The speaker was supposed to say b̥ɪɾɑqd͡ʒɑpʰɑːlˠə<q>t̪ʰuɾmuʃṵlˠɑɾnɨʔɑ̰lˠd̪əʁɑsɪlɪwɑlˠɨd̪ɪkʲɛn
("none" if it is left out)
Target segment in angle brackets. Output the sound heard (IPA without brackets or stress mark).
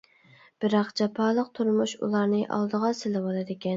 q